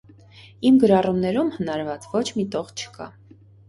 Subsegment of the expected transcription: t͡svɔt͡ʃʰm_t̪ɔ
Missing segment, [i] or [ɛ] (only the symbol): i